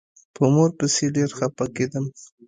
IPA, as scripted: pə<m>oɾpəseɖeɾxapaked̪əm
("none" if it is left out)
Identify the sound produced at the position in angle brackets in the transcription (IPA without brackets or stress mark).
m